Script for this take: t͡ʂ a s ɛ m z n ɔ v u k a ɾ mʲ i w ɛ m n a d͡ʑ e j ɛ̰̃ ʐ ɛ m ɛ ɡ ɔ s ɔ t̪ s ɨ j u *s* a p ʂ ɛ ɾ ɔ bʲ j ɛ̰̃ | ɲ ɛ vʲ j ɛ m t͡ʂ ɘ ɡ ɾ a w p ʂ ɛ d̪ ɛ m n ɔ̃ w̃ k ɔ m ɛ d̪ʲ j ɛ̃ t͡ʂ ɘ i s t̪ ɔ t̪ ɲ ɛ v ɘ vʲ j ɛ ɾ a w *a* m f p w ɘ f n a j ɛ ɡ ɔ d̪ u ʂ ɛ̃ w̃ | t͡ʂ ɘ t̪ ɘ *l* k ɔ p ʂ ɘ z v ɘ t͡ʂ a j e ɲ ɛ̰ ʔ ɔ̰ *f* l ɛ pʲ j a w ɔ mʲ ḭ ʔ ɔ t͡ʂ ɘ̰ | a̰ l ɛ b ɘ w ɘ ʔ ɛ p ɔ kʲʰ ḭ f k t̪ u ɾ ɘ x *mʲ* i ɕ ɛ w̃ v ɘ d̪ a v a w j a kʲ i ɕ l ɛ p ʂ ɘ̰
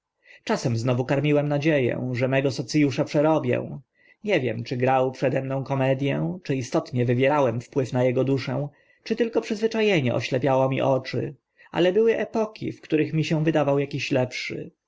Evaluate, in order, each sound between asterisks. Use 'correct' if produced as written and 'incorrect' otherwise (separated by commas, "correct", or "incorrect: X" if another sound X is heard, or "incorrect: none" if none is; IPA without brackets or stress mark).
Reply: incorrect: ʂ, incorrect: ɛ, correct, incorrect: ɕ, correct